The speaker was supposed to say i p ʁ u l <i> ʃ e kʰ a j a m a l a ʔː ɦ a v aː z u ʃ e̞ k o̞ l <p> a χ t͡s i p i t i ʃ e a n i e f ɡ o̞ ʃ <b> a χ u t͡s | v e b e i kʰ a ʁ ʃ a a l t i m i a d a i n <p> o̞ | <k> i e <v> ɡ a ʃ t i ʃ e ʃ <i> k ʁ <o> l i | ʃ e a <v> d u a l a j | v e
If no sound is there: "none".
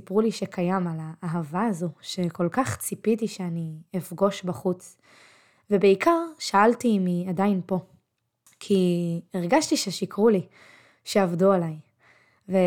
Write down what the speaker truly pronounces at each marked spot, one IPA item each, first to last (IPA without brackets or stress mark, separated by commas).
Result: i, k, b, p, kʰ, ʁ, i, u, v